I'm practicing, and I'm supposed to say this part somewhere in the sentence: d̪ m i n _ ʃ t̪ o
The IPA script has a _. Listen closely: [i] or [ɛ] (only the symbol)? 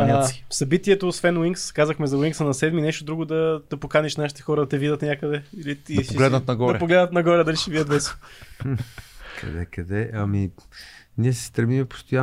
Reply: ɛ